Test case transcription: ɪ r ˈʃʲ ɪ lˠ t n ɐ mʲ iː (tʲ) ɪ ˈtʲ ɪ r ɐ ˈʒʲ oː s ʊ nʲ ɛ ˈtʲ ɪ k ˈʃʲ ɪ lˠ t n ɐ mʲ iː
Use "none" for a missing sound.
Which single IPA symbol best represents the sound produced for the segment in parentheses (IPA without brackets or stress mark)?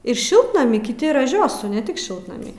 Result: kʲ